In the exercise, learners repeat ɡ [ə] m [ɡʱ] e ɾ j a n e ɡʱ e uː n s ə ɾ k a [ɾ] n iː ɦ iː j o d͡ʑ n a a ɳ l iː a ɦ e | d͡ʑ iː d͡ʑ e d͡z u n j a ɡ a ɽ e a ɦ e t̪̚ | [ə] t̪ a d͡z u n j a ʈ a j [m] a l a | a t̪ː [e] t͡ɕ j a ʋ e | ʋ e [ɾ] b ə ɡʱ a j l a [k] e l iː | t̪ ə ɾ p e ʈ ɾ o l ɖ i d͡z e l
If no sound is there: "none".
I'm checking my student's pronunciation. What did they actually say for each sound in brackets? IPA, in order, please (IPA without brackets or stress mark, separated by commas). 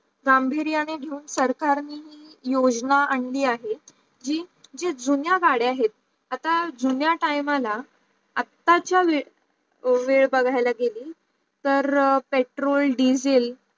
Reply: a, bʱ, ɾ, a, m, a, ɭ, ɡ